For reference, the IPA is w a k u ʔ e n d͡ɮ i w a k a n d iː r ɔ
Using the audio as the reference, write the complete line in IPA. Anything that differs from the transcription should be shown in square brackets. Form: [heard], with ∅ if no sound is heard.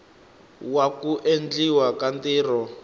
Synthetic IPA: w a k u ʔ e n d͡ɮ i w a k a n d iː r ɔ